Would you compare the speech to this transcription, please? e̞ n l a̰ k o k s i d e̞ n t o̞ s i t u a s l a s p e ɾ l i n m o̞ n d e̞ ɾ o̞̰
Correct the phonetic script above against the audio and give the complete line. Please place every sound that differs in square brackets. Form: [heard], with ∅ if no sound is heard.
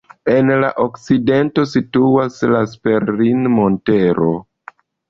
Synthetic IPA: e̞ n l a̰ [ʔ] o k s i d e̞ n t o̞ s i t u a s l a s p e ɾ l i n m o̞ n [t] e̞ ɾ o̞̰

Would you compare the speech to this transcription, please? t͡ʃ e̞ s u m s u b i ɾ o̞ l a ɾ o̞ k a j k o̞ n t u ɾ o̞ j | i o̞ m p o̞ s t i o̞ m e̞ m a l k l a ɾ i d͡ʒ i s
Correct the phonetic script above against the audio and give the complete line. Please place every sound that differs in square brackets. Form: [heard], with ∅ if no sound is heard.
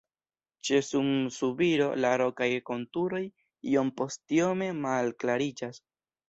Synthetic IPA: t͡ʃ e̞ s u m s u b i ɾ o̞ l a ɾ o̞ k a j k o̞ n t u ɾ o̞ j | i o̞ m p o̞ s t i o̞ m e̞ m a l k l a ɾ i d͡ʒ [a] s

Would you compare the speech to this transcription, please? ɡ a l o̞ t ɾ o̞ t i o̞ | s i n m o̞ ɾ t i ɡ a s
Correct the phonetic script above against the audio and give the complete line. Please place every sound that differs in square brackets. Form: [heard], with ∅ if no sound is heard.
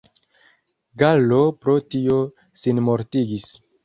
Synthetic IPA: ɡ a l o̞ [p] ɾ o̞ t i o̞ | s i n m o̞ ɾ t i ɡ [i] s

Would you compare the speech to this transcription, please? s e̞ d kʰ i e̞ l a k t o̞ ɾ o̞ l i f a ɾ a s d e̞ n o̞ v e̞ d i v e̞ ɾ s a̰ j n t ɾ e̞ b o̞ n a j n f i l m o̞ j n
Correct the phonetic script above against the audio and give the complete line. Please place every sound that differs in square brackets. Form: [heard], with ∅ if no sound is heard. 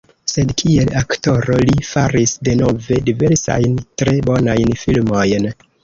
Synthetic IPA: s e̞ d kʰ i e̞ l a k t o̞ ɾ o̞ l i f a ɾ [i] s d e̞ n o̞ v e̞ d i v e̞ ɾ s a̰ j n t ɾ e̞ b o̞ n a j n f i l m o̞ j n

